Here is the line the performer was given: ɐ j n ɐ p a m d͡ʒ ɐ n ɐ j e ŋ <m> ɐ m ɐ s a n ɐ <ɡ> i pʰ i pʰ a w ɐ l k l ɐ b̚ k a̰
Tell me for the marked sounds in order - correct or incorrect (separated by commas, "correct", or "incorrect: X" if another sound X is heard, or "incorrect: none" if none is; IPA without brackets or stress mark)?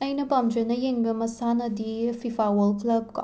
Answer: incorrect: b, incorrect: d